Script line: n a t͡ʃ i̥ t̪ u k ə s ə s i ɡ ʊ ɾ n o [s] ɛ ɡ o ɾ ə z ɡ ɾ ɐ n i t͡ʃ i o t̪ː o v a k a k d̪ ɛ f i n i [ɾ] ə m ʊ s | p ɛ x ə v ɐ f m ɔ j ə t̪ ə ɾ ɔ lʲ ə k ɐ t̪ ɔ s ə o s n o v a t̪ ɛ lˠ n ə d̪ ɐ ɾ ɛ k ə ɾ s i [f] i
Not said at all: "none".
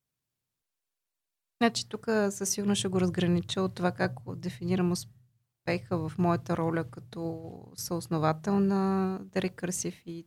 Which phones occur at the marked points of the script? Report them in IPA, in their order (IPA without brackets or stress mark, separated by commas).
ʃ, ɾ, f